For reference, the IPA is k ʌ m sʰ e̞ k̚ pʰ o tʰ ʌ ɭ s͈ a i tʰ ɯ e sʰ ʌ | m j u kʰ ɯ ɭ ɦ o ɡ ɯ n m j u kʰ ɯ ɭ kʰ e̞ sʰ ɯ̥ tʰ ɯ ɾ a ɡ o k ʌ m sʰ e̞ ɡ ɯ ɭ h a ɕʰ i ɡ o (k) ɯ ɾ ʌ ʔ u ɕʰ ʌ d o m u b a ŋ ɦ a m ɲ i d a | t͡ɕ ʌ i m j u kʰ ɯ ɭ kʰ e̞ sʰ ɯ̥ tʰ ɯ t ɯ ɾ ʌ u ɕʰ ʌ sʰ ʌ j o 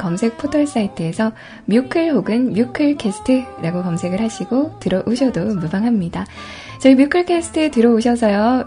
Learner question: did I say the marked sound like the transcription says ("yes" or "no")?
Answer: no